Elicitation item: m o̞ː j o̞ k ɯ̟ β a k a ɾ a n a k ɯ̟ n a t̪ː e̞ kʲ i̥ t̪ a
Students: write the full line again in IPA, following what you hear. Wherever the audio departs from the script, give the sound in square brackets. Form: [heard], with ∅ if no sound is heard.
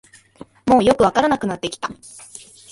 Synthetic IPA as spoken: m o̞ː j o̞ k ɯ̟ β a k a ɾ a n a k ɯ̟ n a t̪ː e̞ kʲ i̥ t̪ a

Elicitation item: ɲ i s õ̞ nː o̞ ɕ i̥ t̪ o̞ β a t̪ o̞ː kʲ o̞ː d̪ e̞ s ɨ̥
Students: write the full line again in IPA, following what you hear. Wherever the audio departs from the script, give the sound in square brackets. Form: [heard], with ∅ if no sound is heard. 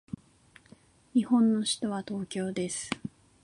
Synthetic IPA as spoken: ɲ i [h] õ̞ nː o̞ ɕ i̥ t̪ o̞ β a t̪ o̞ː kʲ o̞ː d̪ e̞ s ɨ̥

